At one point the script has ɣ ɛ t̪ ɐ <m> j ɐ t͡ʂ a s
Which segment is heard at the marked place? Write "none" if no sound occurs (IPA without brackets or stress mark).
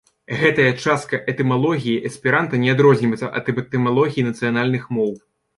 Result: none